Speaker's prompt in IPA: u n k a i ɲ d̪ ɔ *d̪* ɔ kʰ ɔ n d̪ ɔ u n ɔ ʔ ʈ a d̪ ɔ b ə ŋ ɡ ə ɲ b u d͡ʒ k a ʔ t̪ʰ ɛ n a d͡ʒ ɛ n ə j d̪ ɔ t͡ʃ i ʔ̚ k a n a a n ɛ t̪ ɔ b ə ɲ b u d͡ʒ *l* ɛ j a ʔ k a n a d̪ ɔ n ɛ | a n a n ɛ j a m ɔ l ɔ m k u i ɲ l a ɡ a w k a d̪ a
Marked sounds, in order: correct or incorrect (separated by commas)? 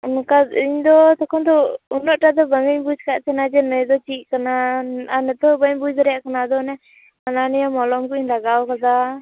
incorrect, incorrect